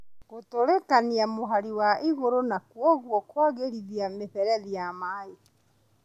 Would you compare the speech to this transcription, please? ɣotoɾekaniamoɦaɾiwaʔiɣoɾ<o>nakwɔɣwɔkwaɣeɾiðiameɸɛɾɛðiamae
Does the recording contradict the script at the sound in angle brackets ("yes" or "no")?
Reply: no